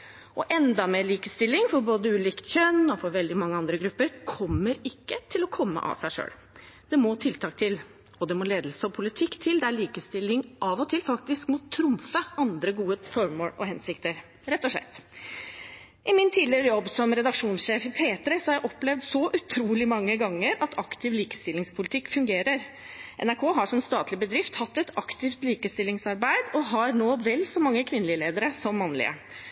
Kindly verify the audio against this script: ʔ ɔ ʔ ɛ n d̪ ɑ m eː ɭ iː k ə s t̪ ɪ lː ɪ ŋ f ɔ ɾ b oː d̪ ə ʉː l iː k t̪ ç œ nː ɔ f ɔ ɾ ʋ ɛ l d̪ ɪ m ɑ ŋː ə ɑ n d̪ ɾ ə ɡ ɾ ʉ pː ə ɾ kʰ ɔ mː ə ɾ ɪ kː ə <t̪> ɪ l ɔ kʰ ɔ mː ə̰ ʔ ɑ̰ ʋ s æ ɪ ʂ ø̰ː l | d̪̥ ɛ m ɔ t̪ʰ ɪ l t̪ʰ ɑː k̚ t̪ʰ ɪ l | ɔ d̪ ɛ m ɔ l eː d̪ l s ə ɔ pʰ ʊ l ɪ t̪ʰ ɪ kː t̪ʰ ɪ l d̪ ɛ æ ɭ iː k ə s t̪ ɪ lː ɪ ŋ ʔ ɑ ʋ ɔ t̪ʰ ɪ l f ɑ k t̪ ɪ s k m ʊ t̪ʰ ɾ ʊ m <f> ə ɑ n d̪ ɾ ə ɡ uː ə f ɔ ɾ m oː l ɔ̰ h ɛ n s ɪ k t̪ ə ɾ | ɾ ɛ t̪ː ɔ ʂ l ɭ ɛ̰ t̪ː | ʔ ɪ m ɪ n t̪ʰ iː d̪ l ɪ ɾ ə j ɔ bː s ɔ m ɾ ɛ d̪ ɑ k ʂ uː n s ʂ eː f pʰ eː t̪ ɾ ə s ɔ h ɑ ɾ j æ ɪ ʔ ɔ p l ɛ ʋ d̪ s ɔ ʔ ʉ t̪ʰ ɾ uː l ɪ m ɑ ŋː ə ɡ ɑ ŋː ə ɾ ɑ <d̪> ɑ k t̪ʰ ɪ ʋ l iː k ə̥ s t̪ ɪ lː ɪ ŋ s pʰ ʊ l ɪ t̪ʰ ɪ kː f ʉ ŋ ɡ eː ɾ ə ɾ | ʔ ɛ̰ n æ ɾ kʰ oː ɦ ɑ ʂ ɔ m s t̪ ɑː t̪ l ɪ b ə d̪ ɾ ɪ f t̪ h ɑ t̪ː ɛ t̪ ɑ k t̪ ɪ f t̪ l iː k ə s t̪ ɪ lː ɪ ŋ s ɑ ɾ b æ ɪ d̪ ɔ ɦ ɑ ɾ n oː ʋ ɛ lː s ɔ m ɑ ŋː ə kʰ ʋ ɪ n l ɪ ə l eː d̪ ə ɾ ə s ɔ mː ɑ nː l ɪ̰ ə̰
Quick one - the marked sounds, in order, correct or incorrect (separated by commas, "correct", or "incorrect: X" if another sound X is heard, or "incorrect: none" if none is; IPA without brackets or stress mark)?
incorrect: t̪ʰ, correct, incorrect: t̪